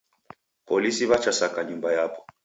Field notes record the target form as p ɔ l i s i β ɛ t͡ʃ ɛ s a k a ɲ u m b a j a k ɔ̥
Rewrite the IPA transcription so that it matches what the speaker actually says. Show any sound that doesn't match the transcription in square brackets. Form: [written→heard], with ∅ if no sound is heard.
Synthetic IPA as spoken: p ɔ l i s i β [ɛ→a] t͡ʃ [ɛ→a] s a k a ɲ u m b a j a [k→p] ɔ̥